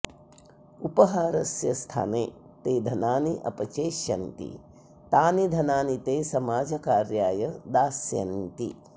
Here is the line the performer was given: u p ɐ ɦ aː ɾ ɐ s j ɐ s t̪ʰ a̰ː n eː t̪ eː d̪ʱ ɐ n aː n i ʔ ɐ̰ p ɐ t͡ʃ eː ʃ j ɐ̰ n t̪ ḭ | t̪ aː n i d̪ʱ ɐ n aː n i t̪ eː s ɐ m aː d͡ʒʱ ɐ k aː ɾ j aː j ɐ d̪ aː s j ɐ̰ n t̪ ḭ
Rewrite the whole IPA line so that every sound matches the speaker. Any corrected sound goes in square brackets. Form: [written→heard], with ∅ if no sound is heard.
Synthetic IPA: u p ɐ ɦ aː ɾ ɐ s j ɐ s t̪ʰ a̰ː n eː t̪ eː d̪ʱ ɐ n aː n i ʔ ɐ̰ p ɐ t͡ʃ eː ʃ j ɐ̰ n t̪ ḭ | t̪ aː n i d̪ʱ ɐ n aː n i t̪ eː s ɐ m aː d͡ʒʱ ɐ k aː ɾ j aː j ɐ d̪ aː s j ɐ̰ n t̪ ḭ